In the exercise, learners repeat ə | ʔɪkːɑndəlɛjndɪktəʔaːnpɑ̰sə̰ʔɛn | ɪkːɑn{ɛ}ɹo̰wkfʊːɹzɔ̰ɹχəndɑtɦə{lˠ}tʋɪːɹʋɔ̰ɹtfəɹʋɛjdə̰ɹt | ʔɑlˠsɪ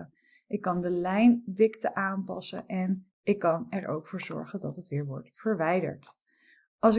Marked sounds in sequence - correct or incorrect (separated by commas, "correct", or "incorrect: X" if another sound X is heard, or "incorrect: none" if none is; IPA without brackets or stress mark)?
correct, incorrect: none